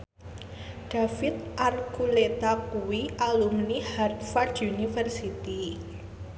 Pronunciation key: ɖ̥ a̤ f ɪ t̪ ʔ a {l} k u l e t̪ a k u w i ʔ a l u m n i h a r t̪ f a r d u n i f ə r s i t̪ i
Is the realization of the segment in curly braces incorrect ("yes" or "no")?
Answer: yes